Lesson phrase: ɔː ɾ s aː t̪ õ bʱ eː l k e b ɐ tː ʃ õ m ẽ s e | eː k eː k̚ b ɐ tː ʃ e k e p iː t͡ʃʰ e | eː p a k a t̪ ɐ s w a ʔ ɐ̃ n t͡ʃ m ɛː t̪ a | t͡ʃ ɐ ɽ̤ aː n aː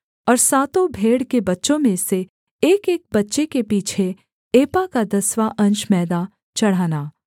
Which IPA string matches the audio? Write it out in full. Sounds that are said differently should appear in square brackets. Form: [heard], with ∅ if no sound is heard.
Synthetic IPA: ɔː ɾ s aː t̪ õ bʱ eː [ɽ] k e b ɐ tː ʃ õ m ẽ s e | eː k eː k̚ b ɐ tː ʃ e k e p iː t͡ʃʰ e | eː p a k a [d̪] ɐ s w a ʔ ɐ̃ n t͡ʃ m ɛː [d̪] a | t͡ʃ ɐ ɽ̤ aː n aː